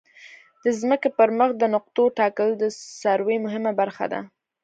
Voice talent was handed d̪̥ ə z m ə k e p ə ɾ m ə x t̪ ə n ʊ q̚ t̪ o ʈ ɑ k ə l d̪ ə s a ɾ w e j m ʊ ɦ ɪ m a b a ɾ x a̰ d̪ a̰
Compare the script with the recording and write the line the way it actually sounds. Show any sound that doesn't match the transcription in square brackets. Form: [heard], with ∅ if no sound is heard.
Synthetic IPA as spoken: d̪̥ ə z m ə k e p ə ɾ m ə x [d̪] ə n ʊ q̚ t̪ o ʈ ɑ k ə l d̪ ə s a ɾ w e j m ʊ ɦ ɪ m a b a ɾ x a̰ d̪ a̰

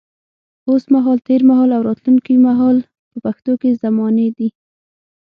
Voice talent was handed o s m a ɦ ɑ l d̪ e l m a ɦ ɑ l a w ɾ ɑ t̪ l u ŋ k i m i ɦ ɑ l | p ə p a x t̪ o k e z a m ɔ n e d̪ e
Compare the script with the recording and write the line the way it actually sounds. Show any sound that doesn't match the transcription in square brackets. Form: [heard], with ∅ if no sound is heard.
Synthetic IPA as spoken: o s m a ɦ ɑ l [t̪] e [ɾ] m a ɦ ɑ l a w ɾ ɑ t̪ l u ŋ k i m [a] ɦ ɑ l | p ə p a x t̪ o k e z a m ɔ n e d̪ [i]

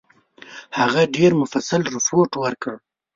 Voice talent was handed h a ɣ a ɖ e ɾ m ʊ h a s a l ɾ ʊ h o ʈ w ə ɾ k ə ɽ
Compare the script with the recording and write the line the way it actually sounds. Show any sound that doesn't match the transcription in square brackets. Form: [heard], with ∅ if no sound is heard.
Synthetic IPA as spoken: h a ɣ a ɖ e ɾ m ʊ [f] a s a l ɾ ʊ [f] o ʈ w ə ɾ k ə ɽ

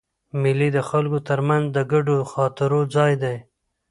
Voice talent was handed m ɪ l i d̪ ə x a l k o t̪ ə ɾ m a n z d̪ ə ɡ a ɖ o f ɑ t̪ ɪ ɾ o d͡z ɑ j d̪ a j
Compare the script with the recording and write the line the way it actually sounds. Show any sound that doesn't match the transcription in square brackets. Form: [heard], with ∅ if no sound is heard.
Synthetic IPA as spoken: m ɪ l i d̪ ə x a l k o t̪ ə ɾ m a n z d̪ ə ɡ a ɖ o [x] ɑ t̪ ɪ ɾ o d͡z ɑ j d̪ a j

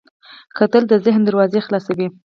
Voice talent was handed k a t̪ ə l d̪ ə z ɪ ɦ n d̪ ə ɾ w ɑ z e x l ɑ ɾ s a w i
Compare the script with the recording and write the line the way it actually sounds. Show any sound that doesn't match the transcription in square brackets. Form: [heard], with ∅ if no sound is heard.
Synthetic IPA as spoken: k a t̪ ə l d̪ ə z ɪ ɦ n d̪ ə ɾ w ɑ z e x l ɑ [∅] s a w i

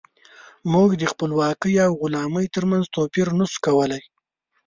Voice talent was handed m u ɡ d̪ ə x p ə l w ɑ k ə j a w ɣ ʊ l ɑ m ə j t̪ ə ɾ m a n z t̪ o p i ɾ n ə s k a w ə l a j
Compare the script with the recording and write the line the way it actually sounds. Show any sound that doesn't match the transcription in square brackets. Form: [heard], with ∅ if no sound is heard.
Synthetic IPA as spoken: m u ɡ d̪ ə x p ə l w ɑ k ə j a w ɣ ʊ l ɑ m ə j t̪ ə ɾ m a n z t̪ o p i ɾ n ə s k a w ə l a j

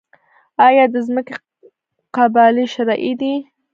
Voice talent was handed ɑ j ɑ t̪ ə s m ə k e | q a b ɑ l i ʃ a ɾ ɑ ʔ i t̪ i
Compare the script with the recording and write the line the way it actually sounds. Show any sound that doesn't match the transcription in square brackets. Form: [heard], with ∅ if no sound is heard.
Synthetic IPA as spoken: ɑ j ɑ [d̪] ə [z] m ə k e | q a b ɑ l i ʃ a ɾ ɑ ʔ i [d̪] i

